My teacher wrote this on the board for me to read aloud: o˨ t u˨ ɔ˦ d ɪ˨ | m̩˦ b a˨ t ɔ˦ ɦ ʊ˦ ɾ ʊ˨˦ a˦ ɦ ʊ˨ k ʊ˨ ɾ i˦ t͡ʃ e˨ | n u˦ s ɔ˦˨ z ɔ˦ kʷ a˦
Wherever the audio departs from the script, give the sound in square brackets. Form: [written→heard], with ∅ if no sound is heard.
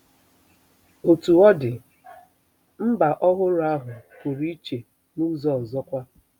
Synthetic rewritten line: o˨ t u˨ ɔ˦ d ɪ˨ | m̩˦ b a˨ [t→ʔ] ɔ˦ ɦ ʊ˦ ɾ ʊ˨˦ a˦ ɦ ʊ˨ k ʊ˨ ɾ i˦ t͡ʃ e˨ | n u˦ [s→z] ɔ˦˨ z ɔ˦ kʷ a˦